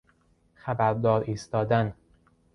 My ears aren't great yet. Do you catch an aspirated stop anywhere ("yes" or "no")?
no